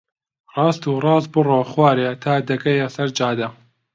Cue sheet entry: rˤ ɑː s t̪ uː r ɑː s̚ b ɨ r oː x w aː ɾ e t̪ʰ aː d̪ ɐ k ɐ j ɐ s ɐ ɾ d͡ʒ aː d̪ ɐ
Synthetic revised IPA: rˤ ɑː s t̪ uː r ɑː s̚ b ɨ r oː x w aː ɾ e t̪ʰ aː d̪ ɐ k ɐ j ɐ s ɐ ɾ d͡ʒ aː d̪ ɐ